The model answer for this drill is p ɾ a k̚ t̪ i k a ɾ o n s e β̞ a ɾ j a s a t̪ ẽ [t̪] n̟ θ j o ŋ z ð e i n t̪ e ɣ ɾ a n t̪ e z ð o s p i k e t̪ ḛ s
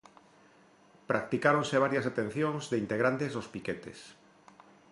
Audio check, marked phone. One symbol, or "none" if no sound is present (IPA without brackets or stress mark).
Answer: none